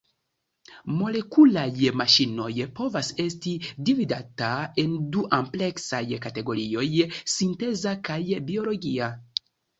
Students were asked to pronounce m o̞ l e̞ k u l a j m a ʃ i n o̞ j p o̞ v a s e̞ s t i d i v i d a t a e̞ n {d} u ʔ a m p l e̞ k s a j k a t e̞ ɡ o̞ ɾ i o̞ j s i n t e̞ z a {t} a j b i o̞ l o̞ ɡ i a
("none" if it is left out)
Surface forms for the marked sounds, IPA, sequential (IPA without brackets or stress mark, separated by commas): d, k